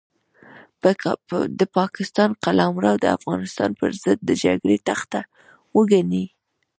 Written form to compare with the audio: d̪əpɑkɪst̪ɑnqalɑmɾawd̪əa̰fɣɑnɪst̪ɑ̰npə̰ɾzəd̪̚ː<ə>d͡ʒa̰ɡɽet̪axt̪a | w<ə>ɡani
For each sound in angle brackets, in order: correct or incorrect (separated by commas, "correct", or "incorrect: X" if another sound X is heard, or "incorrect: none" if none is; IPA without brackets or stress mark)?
correct, correct